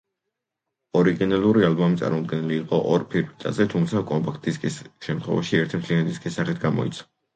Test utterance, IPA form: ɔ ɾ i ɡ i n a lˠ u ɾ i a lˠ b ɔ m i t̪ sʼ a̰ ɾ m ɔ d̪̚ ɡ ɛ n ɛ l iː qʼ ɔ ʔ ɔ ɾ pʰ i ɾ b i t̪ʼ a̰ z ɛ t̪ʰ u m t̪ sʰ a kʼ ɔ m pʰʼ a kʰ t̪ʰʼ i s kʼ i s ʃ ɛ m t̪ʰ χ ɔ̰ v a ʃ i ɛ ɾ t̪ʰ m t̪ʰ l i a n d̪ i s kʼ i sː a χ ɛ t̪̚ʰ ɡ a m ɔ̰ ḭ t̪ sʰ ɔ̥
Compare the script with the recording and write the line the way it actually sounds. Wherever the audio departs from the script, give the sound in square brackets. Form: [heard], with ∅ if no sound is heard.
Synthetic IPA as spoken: ɔ ɾ i ɡ i n a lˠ u ɾ i a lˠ b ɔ m i t̪ sʼ a̰ ɾ m ɔ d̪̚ ɡ ɛ n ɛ l iː qʼ ɔ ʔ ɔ ɾ pʰ i ɾ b i t̪ʼ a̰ z ɛ t̪ʰ u m t̪ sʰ a kʼ ɔ m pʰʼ a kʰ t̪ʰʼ i s kʼ i s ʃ ɛ m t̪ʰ χ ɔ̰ v a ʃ i ɛ ɾ t̪ʰ m t̪ʰ l i a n d̪ i s kʼ i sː a χ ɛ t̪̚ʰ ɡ a m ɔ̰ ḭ t̪ sʰ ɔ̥